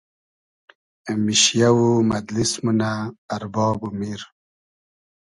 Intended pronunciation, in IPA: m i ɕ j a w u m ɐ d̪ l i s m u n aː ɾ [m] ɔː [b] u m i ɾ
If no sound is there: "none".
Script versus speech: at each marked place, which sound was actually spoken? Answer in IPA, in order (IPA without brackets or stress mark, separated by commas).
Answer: b, b